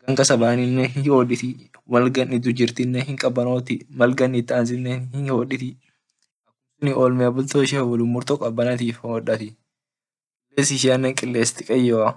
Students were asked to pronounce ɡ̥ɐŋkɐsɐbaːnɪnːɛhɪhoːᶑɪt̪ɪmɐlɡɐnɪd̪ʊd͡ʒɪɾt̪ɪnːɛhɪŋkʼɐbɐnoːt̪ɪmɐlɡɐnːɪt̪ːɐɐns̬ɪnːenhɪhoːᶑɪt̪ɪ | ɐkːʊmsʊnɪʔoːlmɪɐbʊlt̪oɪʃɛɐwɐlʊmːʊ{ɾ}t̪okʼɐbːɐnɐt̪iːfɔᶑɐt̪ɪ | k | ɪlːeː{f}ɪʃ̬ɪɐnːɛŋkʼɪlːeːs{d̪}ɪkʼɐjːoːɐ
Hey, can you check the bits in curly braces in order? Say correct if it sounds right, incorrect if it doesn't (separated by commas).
correct, incorrect, incorrect